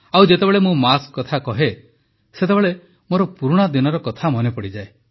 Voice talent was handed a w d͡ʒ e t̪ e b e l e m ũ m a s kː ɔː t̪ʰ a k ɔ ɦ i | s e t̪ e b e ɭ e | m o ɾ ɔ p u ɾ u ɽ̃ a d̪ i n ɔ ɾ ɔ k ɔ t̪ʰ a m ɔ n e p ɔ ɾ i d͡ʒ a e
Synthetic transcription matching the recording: a w d͡ʒ e t̪ e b e ɭ e m ũ m a s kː ɔ t̪ʰ a k ɔ ɦ e | s e t̪ e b e ɭ e | m o ɾ ɔ p u ɾ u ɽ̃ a d̪ i n ɔ ɾ ɔ k ɔ t̪ʰ a m ɔ n e p ɔ ɽ i d͡ʒ a e

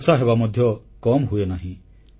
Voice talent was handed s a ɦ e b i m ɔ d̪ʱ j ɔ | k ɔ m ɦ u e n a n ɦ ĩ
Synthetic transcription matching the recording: s a ɦ e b a m ɔ d̪ʱ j ɔ | k ɔ m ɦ u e n a ɦ ĩ

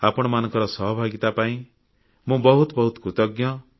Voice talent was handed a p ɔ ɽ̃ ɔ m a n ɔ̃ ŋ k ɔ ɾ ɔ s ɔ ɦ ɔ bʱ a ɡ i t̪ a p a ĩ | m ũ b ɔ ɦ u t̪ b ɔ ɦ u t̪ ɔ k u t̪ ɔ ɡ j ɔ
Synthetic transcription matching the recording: a p ɔ ɽ̃ ɔ m a n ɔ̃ ŋ k ɔ ɾ ɔ s ɔ ɦ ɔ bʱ a ɡ i t̪ a p a ĩ | m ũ b ɔ ɦ u t̪ b ɔ ɦ u t̪ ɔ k u t̪ ɔ ɡ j ɔ

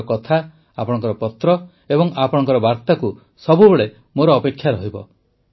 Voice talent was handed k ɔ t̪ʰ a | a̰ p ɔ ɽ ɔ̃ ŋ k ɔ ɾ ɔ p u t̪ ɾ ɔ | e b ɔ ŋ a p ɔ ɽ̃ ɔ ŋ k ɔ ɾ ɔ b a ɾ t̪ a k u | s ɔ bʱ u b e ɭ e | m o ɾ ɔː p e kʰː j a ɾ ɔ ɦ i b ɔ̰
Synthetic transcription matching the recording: k ɔ t̪ʰ a | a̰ p ɔ ɽ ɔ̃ ŋ k ɔ ɾ ɔ p ɔ t̪ ɾ ɔ | e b ɔ ŋ a p ɔ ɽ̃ ɔ ŋ k ɔ ɾ ɔ b a ɾ t̪ a k u | s ɔ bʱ u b e ɭ e | m o ɾ ɔː p e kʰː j a ɾ ɔ ɦ i b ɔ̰

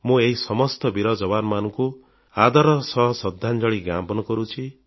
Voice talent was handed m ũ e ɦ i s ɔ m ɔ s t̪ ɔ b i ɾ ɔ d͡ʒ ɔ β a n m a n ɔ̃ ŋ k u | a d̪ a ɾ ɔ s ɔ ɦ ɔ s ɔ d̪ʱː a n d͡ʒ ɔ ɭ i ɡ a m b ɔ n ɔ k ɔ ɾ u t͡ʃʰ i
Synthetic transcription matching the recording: m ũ e ɦ i s ɔ m ɔ s t̪ ɔ b i ɾ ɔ d͡ʒ ɔ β a n m a n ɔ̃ ŋ k u | a d̪ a ɾ ɔ s ɔ ɦ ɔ s ɔ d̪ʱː a n d͡ʒ ɔ ɭ i ɡ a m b ɔ n ɔ k ɔ ɾ u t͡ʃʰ i

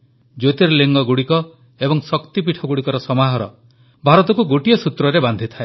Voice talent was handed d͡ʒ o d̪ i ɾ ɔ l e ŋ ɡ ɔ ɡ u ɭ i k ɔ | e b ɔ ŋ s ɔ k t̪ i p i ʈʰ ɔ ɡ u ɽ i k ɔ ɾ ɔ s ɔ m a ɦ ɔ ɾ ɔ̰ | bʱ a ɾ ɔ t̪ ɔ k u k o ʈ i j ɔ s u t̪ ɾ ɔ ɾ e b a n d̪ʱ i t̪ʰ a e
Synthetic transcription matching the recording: d͡ʒ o t̪ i ɾ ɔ l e ŋ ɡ ɔ ɡ u ɽ i k ɔ | e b ɔ ŋ s ɔ k t̪ i p i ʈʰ ɔ ɡ u ɽ i k ɔ ɾ ɔ s ɔ m a ɦ ɔ ɾ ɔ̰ | bʱ a ɾ ɔ t̪ ɔ k u ɡ o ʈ i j ɔ s u t̪ ɾ ɔ ɾ e b a n d̪ʱ i t̪ʰ a e

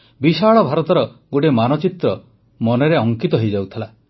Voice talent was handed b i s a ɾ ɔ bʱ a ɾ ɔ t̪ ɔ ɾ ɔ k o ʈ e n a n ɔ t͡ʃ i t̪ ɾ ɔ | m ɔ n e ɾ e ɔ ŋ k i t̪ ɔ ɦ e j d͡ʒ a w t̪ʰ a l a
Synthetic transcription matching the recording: b i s a ɭ ɔ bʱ a ɾ ɔ t̪ ɔ ɾ ɔ ɡ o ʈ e m a n ɔ t͡ʃ i t̪ ɾ ɔ | m ɔ n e ɾ e ɔ ŋ k i t̪ ɔ ɦ e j d͡ʒ a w t̪ʰ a l a

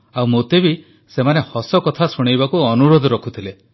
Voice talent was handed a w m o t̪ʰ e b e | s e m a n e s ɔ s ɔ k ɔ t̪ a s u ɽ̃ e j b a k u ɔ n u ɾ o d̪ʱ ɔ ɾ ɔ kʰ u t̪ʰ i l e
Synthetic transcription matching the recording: a w m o t̪ e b i | s e m a n e h ɔ s ɔ k ɔ t̪ʰ a s u ɽ̃ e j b a k u ɔ n u ɾ o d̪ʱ ɔ ɾ ɔ kʰ u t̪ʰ i l e

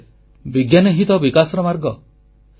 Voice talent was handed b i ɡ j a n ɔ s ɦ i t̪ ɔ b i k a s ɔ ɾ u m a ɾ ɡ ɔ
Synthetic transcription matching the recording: b i ɡ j a n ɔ ɦ i t̪ ɔ b i k a s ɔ ɾ ɔ m a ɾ ɡ ɔ

